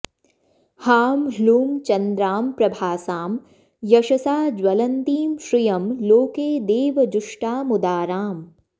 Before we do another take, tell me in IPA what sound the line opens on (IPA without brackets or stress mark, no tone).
h